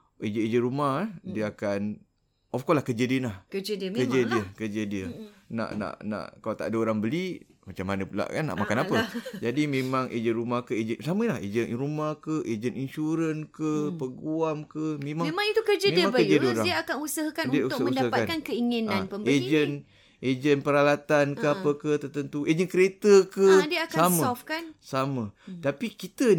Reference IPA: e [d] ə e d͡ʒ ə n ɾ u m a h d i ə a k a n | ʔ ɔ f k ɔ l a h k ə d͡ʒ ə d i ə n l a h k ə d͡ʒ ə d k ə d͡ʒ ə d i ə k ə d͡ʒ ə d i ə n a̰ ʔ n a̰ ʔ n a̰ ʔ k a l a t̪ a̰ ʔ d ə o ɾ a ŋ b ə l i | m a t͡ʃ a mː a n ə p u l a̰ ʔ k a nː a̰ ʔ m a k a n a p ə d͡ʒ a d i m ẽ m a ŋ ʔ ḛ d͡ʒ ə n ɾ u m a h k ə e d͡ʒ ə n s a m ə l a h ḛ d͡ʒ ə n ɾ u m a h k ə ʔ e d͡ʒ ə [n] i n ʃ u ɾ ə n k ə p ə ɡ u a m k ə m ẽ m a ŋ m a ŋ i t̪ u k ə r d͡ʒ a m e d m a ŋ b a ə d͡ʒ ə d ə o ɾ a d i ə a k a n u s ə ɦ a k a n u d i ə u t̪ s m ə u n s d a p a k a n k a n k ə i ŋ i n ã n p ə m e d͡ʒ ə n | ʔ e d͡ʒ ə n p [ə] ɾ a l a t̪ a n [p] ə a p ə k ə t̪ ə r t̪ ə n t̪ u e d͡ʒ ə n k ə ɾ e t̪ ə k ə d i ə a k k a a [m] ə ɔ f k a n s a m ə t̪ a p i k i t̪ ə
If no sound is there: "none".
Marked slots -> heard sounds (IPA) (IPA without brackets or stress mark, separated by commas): d͡ʒ, n, ə, k, m